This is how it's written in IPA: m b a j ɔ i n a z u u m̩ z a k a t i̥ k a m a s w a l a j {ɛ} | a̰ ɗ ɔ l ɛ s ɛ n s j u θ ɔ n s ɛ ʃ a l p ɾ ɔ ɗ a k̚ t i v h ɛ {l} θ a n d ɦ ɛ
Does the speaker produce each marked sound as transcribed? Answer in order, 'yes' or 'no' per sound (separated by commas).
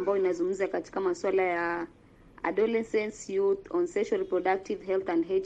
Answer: no, yes